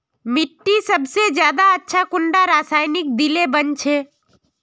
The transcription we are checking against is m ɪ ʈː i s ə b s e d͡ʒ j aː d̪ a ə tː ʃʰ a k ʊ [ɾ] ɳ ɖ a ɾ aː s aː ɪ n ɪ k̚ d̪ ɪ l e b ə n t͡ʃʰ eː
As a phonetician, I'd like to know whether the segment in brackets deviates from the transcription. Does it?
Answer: yes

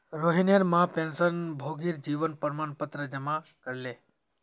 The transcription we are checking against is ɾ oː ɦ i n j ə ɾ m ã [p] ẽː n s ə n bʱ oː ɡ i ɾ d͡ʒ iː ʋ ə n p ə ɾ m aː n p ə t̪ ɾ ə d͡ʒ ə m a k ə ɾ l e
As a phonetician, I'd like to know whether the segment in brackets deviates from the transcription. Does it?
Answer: no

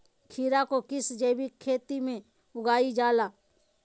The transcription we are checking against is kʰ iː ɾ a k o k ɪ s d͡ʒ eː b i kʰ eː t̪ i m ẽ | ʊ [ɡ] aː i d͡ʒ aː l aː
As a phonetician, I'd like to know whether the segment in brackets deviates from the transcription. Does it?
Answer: no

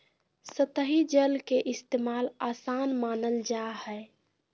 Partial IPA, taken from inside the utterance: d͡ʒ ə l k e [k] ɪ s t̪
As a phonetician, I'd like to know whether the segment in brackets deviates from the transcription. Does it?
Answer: yes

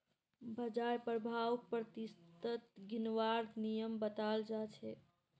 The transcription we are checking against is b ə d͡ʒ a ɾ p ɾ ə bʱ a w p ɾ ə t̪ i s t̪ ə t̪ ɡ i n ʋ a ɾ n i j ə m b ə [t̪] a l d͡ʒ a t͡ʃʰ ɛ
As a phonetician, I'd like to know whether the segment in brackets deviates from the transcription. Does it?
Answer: no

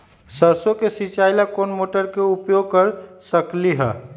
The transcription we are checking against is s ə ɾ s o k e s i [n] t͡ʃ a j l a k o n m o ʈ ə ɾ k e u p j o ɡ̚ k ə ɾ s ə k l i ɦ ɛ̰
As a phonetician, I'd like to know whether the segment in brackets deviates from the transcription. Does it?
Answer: yes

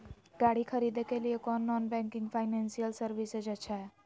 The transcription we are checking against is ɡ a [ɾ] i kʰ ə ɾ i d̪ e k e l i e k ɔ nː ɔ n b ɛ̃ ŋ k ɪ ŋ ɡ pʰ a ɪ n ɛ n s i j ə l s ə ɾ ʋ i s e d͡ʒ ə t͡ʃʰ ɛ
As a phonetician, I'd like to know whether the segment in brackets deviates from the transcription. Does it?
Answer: yes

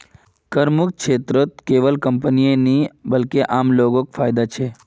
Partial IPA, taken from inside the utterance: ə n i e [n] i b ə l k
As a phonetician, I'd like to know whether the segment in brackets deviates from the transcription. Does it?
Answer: no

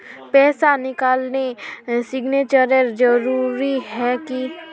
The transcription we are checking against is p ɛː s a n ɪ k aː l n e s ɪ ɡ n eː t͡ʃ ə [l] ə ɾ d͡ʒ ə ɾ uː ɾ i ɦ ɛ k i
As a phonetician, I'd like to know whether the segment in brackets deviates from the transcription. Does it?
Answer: yes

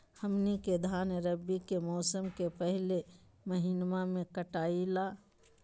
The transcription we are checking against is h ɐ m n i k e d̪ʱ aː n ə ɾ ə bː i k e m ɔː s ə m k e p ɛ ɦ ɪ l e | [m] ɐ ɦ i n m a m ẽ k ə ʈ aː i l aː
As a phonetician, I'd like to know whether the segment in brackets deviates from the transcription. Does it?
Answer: no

